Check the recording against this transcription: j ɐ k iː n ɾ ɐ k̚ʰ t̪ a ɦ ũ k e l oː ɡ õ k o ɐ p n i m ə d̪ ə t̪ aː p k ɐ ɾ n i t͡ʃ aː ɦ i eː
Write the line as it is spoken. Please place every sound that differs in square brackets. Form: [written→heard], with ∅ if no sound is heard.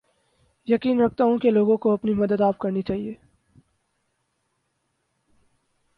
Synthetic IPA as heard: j ɐ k iː n ɾ ɐ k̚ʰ t̪ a ɦ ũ k e l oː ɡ õ k o ɐ p n i m [ə→ɐ] d̪ ə [t̪→d̪] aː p k ɐ ɾ n i t͡ʃ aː ɦ i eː